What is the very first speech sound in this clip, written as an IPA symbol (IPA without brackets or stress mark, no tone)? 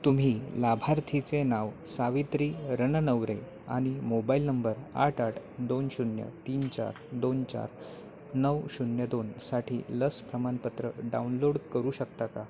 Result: t̪